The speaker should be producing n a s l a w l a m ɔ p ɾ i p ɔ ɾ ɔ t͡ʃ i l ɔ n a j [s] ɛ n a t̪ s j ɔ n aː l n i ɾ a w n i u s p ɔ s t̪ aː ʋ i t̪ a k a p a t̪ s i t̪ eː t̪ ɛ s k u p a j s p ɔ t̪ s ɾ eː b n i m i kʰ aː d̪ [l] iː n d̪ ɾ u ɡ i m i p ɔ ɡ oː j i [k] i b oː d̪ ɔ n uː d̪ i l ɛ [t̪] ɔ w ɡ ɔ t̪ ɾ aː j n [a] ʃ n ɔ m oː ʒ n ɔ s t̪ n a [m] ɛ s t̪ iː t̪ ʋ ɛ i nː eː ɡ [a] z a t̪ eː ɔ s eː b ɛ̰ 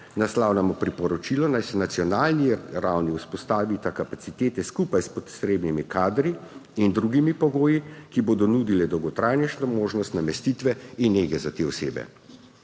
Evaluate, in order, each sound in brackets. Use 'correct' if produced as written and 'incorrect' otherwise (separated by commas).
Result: correct, incorrect, correct, incorrect, incorrect, correct, incorrect